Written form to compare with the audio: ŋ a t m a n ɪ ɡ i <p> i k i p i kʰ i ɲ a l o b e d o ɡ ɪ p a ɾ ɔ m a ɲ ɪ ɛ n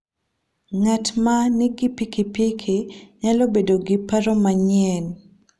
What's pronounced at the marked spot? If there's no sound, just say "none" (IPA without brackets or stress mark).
p